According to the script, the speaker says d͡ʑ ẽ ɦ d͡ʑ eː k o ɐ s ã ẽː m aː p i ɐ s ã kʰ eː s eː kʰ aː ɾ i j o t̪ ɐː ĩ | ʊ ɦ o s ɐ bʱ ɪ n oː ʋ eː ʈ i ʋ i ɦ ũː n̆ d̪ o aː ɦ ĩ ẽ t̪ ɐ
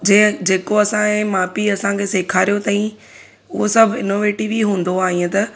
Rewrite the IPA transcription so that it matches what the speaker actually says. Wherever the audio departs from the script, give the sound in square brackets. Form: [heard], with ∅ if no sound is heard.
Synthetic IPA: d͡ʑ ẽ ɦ d͡ʑ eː k o ɐ s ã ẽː m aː p i ɐ s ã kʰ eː s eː kʰ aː ɾ i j o t̪ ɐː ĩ | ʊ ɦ o s ɐ bʱ ɪ n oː ʋ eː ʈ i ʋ i ɦ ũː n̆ d̪ o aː ɦ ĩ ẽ t̪ ɐ